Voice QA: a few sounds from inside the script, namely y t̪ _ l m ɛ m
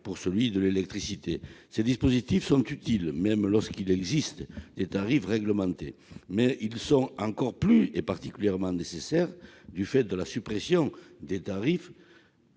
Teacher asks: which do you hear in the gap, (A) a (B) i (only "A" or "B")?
B